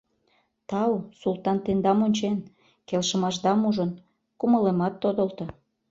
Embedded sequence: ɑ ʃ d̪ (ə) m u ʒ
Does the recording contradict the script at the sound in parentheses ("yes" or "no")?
yes